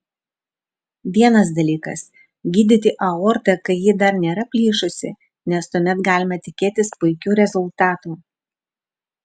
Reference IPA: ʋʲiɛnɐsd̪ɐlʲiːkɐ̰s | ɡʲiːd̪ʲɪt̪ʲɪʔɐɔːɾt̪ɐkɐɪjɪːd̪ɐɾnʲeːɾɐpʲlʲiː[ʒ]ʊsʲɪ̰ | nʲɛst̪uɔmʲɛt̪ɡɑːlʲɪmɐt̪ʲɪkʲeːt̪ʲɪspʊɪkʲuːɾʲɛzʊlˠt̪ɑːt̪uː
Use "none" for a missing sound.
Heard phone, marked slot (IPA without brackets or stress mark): ʃ